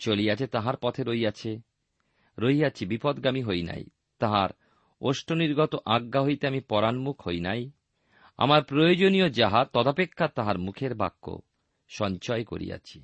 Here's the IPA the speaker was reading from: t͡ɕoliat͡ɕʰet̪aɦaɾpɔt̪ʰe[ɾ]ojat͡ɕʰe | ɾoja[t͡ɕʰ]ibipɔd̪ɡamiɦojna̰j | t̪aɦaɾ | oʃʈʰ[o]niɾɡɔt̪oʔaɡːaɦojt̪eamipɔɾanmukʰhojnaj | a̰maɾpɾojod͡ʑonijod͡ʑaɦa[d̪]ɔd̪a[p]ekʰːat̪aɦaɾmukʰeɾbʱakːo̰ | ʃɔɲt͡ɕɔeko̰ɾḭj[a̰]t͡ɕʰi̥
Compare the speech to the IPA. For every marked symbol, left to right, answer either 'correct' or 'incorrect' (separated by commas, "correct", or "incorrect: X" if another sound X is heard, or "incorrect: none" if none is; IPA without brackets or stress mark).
correct, correct, correct, incorrect: t̪, correct, correct